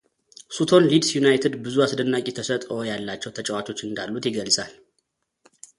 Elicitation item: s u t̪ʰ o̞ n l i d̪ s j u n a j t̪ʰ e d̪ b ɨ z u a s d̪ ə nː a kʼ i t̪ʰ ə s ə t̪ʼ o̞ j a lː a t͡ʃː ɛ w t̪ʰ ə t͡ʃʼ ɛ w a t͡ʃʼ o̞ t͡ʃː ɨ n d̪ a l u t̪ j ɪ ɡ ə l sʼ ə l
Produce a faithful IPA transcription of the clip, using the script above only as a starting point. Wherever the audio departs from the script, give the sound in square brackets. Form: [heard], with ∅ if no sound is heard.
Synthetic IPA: s u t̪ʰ o̞ n l i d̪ s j u n a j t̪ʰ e d̪ b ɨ z u a s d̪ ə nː a kʼ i t̪ʰ ə s ə t̪ʼ o̞ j a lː a t͡ʃː ɛ w t̪ʰ ə t͡ʃʼ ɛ w a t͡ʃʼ o̞ t͡ʃː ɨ n d̪ a [lː] u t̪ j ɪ ɡ ə l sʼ [a] l